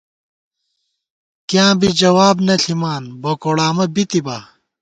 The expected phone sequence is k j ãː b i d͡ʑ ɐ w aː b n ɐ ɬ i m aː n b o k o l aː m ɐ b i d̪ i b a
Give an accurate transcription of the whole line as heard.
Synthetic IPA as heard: k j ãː b i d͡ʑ ɐ w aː b n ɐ ɬ i m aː n b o k o ɽ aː m ɐ b i t̪ i b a